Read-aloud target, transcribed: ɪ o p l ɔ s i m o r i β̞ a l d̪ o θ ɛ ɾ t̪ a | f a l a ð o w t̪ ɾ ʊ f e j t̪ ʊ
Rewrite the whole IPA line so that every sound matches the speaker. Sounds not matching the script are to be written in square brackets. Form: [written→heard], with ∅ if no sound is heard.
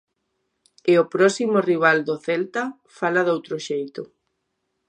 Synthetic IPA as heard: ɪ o p [l→ɾ] ɔ s i m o r i β̞ a l d̪ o θ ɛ [ɾ→l] t̪ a | f a l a ð o w t̪ ɾ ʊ [f→ʃ] e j t̪ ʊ